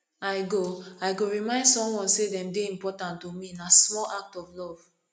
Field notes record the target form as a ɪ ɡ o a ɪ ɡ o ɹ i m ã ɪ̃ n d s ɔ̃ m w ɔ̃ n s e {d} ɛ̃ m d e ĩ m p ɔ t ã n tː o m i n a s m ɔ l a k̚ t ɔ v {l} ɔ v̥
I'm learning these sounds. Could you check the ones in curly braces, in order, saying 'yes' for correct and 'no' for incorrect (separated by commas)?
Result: yes, yes